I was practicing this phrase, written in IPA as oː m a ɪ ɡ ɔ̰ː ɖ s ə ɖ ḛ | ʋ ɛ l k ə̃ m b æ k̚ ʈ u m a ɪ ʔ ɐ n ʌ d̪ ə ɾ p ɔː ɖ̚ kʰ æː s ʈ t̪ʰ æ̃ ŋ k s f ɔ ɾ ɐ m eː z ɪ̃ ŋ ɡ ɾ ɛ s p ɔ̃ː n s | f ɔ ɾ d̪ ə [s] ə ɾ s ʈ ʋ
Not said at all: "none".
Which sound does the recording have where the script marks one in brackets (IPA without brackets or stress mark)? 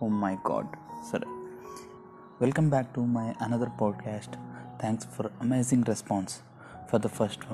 f